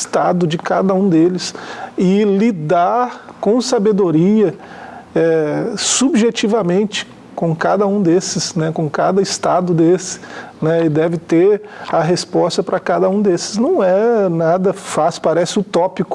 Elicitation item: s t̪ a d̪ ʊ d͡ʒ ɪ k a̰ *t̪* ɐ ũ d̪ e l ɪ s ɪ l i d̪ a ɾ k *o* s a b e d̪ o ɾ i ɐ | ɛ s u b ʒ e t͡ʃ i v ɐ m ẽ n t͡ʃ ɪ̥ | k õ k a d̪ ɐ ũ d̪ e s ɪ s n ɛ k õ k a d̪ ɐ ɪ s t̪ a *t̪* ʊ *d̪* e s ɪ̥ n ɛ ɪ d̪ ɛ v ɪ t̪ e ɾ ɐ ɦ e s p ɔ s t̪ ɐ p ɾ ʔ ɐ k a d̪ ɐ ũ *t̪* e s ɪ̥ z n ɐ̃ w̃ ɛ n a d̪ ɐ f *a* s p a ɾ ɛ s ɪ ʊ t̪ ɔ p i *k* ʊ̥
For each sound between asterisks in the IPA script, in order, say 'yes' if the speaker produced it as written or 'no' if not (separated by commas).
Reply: no, no, no, yes, no, yes, yes